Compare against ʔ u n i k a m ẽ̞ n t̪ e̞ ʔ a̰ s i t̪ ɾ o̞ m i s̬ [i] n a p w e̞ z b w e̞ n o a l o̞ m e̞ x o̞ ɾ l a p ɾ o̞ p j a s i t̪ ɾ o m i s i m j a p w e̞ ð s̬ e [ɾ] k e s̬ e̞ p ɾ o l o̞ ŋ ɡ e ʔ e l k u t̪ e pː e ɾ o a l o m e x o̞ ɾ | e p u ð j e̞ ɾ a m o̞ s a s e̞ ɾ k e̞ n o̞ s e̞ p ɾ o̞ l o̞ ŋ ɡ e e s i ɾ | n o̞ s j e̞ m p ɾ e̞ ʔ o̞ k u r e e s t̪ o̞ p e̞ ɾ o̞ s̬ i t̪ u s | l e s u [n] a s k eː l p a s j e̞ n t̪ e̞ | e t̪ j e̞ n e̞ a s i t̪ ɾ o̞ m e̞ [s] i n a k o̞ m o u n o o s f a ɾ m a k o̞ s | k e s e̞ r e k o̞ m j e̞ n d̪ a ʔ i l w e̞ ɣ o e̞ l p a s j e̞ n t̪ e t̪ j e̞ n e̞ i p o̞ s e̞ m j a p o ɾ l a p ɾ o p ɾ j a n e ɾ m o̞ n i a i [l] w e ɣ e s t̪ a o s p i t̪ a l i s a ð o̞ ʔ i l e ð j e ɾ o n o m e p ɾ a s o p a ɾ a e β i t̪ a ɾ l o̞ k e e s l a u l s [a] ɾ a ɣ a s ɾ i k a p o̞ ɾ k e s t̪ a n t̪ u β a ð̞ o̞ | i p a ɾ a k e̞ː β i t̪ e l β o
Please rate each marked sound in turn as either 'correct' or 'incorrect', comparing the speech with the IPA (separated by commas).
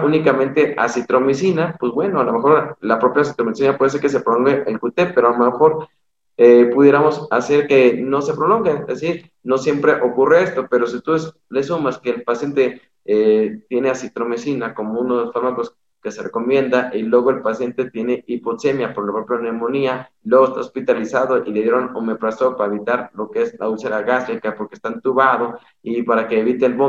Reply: correct, correct, incorrect, correct, correct, incorrect